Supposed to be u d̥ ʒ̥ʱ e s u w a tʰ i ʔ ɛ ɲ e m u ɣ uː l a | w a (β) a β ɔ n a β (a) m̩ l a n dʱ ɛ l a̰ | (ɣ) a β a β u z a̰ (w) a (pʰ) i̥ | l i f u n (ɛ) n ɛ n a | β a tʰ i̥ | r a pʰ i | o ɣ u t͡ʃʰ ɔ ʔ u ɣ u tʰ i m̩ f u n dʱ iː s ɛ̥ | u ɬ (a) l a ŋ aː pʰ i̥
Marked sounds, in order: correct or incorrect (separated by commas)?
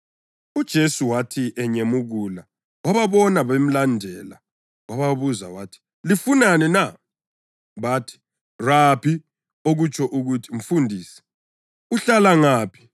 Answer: correct, incorrect, incorrect, correct, incorrect, incorrect, correct